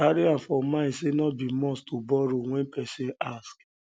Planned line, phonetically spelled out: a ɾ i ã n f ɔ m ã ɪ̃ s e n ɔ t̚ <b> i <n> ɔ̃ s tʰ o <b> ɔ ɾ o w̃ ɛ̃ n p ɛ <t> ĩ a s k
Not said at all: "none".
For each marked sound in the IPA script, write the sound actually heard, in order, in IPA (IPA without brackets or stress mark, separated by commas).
b, m, b, s